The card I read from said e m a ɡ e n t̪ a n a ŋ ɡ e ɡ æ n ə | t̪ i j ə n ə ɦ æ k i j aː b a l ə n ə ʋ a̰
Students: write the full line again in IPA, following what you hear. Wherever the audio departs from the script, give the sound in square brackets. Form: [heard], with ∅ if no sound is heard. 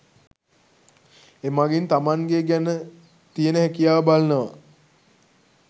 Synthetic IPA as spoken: e m a ɡ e n t̪ a [m] a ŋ ɡ e ɡ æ n ə | t̪ i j ə n ə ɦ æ k i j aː b a l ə n ə ʋ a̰